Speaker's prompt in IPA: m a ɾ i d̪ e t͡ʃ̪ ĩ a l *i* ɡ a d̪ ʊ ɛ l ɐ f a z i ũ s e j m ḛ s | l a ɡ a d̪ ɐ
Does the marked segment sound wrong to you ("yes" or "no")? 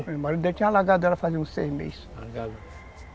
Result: yes